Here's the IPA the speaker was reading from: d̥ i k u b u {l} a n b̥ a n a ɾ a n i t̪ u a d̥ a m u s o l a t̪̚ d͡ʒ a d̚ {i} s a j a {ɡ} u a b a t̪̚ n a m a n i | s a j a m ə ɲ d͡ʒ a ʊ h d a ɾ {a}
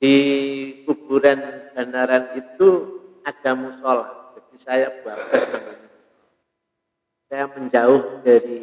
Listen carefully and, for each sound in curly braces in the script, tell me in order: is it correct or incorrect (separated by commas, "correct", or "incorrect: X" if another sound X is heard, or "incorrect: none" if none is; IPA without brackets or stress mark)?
incorrect: ɾ, correct, incorrect: b, incorrect: i